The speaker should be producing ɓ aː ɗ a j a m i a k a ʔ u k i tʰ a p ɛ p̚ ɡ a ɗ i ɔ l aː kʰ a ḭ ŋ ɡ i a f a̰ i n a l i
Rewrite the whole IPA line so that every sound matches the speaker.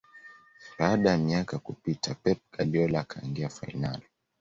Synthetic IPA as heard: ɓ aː ɗ a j a m i a k a k u p i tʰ a p ɛ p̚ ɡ a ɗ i ɔ l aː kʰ a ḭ ŋ ɡ i a f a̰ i n a l i